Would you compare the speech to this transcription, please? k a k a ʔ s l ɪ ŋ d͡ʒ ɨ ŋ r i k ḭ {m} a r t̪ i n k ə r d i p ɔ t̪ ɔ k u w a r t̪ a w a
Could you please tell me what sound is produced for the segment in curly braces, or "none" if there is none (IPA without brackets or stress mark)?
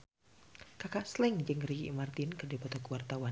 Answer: m